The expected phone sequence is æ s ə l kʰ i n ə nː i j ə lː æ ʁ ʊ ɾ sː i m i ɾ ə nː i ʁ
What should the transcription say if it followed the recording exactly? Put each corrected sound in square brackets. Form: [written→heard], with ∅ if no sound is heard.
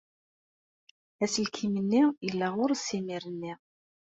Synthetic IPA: æ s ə l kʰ i [n→m] ə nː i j ə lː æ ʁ ʊ ɾ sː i m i ɾ ə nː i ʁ